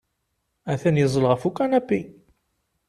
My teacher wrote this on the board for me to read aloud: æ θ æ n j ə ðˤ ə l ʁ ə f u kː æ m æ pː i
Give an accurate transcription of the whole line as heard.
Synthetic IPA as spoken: æ θ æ n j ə zˤ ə l ʁ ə f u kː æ n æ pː i